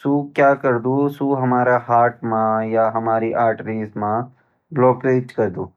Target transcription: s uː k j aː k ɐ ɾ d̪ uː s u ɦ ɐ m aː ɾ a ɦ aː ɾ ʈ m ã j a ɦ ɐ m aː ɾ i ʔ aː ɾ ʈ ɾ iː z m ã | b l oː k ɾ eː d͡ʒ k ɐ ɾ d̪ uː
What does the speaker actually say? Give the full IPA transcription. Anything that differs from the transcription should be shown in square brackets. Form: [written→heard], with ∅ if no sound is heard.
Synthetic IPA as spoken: s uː k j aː k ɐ ɾ d̪ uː s u ɦ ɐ m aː ɾ a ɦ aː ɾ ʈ m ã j a ɦ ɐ m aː ɾ i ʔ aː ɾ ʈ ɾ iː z m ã | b l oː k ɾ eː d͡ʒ k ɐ ɾ d̪ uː

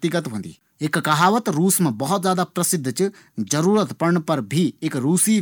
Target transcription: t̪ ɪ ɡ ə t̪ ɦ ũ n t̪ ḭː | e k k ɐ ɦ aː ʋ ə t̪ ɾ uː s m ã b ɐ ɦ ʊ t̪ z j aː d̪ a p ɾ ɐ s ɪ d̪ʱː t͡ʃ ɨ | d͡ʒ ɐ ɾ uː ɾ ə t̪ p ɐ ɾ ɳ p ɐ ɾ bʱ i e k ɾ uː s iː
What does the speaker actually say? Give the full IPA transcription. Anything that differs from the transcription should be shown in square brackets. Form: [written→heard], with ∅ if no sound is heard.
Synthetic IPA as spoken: t̪ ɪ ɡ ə t̪ ɦ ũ n [t̪→d̪] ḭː | e k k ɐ ɦ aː ʋ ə t̪ ɾ uː s m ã b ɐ ɦ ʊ t̪ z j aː d̪ a p ɾ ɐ s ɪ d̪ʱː t͡ʃ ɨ | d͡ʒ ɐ ɾ uː ɾ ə t̪ p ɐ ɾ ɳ p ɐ ɾ bʱ i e k ɾ uː s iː

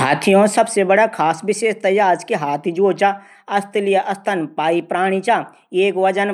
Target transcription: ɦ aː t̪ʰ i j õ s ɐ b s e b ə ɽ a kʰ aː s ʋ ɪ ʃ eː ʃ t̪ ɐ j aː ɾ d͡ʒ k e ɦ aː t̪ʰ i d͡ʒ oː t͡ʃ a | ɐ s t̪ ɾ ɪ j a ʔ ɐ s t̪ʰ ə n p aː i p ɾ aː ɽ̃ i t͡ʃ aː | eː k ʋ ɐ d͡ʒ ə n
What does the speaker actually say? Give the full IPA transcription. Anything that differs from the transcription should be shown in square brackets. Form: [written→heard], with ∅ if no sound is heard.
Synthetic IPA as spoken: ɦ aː t̪ʰ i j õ s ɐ b s e b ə ɽ a kʰ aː s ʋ ɪ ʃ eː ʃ t̪ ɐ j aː ɾ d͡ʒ k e ɦ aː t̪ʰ i d͡ʒ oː t͡ʃ a | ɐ s t̪ [ɾ→l] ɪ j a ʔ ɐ s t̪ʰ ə n p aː i p ɾ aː ɽ̃ i t͡ʃ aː | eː k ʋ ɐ d͡ʒ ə n

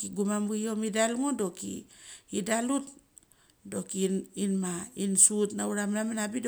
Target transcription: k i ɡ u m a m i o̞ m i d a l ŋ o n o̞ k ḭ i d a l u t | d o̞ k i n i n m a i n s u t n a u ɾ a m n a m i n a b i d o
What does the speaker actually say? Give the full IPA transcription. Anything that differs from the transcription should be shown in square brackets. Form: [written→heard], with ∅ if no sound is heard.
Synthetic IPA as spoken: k i ɡ u m a m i o̞ m i d a l ŋ o [n→d] o̞ k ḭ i d a l u t | d o̞ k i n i n m a i n s u t n a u ɾ a m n a m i n a b i d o

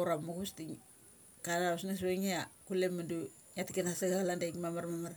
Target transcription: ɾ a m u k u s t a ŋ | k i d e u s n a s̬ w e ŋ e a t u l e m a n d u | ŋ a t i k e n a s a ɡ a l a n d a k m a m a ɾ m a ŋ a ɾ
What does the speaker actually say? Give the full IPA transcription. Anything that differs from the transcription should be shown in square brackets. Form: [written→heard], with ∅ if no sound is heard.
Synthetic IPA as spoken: ɾ a m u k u s t [a→i] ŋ | k [i→a] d [e→a] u s n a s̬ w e ŋ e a [t→k] u l e m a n d u | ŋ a t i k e n a s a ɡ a l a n d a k m a m a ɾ m a [ŋ→m] a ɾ

